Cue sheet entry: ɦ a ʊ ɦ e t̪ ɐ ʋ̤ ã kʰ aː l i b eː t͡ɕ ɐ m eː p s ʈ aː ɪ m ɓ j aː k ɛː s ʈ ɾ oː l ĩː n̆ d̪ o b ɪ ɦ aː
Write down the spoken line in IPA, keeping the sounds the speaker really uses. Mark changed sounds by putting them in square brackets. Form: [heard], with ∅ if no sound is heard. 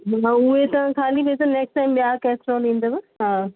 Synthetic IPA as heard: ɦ a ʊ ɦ e t̪ ɐ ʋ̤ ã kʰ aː l i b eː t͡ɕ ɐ [n] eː [k] s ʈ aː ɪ m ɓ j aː k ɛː s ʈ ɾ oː l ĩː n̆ d̪ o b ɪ ɦ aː